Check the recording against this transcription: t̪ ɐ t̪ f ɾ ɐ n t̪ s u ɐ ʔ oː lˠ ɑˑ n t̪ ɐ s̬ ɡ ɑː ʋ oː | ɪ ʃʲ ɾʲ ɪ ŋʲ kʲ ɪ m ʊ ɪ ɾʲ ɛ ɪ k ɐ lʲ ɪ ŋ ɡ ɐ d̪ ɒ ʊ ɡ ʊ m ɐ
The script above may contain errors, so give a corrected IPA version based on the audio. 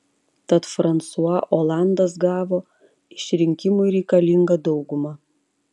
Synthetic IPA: t̪ ɐ t̪ f ɾ ɐ n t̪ s u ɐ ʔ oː lˠ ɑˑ n d̪ ɐ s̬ ɡ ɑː ʋ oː | ɪ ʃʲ ɾʲ ɪ ŋʲ kʲ ɪ m ʊ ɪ ɾʲ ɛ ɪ k ɐ lʲ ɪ ŋ ɡ ɐ d̪ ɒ ʊ ɡ ʊ m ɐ